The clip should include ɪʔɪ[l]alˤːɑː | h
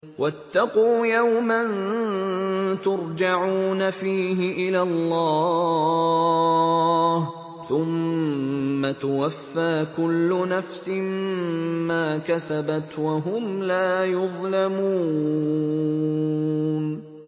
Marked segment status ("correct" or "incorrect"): correct